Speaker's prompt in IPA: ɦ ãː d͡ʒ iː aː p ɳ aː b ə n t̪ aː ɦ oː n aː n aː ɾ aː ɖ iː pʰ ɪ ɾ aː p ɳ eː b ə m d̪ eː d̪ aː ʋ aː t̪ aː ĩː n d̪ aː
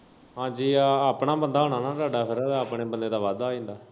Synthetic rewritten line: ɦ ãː d͡ʒ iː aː p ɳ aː b ə n d̪ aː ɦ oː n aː n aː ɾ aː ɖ aː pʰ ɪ ɾ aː p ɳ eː b ə n d̪ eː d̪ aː ʋ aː d̪ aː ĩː n d̪ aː